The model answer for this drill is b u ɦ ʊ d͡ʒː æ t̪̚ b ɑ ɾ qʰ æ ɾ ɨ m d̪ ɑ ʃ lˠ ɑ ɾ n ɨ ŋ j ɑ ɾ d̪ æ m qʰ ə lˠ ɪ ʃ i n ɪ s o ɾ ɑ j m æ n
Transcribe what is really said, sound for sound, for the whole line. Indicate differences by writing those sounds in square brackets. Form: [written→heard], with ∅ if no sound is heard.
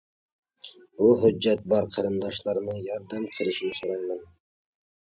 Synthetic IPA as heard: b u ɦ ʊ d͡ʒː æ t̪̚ b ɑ ɾ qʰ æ ɾ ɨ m d̪ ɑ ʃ lˠ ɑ ɾ n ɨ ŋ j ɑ ɾ d̪ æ m qʰ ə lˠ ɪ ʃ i n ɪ s o ɾ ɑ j m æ n